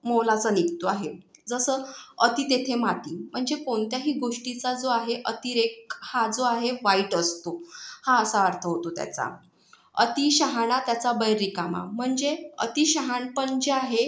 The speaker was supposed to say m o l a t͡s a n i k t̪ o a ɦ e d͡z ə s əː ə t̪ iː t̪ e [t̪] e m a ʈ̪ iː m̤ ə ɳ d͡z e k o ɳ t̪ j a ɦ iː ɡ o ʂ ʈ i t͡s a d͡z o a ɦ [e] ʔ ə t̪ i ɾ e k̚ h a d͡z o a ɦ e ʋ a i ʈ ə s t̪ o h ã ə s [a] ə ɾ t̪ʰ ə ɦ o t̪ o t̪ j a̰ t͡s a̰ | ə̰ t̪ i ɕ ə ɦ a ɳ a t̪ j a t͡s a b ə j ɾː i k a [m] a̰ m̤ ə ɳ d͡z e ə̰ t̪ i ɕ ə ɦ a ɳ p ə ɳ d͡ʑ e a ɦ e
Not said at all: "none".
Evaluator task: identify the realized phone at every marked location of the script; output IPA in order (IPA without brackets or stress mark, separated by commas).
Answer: t̪ʰ, e, a, m